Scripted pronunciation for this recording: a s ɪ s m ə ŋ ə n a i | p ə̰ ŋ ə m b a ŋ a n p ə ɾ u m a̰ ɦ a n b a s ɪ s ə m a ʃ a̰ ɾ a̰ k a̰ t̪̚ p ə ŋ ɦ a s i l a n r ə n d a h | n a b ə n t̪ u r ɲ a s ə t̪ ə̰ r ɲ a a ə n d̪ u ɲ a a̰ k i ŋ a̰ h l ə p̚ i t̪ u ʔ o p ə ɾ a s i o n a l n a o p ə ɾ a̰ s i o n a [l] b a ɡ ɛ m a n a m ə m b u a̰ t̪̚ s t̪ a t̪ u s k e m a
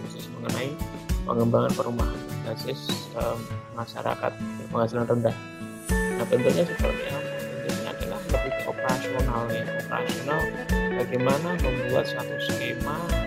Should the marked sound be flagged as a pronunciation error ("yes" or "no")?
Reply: no